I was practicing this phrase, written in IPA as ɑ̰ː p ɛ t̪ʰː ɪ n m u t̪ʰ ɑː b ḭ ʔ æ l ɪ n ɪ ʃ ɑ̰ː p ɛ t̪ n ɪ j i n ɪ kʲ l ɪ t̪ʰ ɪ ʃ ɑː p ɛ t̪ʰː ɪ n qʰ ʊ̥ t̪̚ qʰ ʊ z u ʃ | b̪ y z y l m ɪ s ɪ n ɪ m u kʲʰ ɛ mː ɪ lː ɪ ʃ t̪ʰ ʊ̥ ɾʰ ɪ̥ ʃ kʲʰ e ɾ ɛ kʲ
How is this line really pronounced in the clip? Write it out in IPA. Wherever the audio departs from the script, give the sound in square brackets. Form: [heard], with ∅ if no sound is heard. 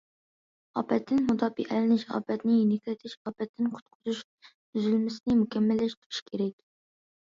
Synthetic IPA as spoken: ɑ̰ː p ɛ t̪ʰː ɪ n m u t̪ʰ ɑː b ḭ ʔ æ l ɪ n ɪ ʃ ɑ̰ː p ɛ t̪ n ɪ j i n ɪ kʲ l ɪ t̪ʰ ɪ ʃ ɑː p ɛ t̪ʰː ɪ n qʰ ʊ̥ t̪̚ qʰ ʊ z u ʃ | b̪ y z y l m ɪ s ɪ n ɪ m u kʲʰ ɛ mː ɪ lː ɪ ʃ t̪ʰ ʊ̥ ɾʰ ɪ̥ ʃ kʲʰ e ɾ ɛ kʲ